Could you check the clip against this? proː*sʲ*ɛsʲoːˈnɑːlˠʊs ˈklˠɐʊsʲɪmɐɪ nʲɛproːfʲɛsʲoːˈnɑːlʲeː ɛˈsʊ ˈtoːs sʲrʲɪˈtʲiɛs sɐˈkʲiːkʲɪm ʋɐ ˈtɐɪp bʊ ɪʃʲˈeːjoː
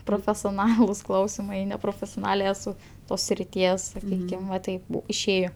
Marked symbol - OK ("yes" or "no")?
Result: no